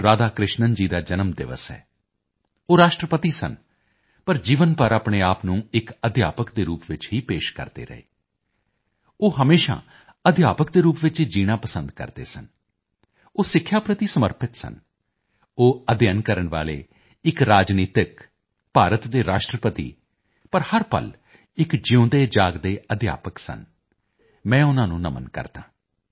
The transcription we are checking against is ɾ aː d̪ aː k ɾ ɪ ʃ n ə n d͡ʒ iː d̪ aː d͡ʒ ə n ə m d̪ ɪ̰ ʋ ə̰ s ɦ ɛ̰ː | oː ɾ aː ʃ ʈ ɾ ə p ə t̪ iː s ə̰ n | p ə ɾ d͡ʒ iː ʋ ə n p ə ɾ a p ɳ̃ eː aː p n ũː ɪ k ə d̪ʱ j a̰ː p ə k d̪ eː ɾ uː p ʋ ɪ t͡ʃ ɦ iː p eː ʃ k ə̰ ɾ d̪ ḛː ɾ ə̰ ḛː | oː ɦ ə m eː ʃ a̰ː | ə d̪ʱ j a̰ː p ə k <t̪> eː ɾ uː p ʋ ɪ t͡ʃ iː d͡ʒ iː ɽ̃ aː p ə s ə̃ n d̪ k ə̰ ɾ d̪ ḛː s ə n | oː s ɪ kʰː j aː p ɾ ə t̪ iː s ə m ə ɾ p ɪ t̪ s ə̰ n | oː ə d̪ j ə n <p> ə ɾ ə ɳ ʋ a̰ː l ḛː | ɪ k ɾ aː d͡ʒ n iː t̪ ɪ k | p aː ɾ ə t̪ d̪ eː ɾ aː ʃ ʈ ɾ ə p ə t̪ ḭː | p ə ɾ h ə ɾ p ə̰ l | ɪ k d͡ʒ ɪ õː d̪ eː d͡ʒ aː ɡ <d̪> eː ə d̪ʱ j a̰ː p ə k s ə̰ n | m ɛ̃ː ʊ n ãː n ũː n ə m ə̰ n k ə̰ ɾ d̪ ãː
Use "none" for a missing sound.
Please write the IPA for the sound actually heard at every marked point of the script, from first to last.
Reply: d̪, k, d̪

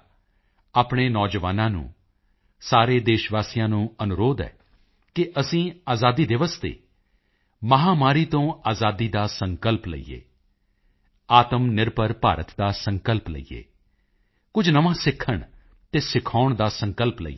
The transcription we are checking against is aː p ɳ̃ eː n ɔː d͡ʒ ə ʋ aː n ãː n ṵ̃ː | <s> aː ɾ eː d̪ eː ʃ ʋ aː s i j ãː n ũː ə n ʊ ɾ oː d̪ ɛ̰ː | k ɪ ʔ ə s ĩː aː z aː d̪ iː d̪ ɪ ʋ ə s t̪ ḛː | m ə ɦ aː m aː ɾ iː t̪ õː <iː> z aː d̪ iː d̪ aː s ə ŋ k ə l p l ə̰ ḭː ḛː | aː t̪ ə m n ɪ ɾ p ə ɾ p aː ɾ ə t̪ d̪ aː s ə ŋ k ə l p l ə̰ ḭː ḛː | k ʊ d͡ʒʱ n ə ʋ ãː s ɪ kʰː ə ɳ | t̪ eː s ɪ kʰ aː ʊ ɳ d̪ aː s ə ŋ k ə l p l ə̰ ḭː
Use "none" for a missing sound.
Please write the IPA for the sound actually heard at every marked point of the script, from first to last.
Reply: s, aː

